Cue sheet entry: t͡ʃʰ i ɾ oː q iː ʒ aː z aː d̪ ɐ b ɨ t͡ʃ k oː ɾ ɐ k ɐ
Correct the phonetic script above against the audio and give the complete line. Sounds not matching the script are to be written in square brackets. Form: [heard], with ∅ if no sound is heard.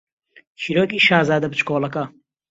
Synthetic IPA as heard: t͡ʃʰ i ɾ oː [k] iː [ʃ] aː z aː d̪ ɐ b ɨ t͡ʃ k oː [l] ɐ k ɐ